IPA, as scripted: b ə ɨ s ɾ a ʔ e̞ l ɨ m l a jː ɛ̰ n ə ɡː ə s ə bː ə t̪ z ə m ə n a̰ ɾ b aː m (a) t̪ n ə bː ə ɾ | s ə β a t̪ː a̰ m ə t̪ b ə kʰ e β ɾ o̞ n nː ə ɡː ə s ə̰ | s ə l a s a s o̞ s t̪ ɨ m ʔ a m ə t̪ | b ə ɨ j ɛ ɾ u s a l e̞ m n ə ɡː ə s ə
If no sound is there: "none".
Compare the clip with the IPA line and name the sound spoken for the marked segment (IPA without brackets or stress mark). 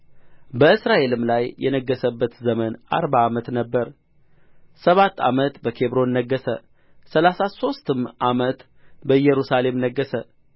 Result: ə